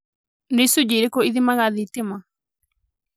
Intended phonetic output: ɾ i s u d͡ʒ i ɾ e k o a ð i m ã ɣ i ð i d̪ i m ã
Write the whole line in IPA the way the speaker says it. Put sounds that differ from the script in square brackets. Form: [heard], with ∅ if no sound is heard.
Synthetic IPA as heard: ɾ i s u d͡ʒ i ɾ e k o [i] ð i m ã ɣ [a] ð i [t̪] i m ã